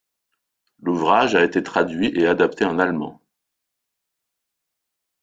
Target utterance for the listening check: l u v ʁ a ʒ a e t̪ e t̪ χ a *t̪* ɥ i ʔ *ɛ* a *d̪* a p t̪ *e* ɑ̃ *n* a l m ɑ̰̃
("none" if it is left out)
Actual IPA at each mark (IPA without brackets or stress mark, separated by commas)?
d̪, e, d̪, e, n